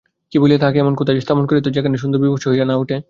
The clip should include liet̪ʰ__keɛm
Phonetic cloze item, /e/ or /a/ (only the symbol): a